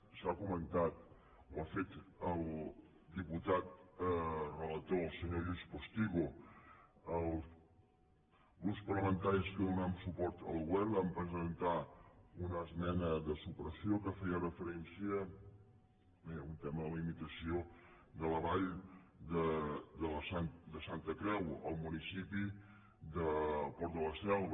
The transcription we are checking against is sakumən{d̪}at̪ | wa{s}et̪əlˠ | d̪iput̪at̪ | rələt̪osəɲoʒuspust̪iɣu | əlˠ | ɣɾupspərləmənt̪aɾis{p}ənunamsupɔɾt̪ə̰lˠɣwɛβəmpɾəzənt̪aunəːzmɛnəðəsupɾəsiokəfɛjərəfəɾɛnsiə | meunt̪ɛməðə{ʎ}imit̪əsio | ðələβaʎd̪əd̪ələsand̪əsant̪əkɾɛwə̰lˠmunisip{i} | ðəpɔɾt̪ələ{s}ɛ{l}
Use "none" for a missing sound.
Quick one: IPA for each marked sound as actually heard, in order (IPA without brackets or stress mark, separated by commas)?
t̪, f, k, l, i, s, l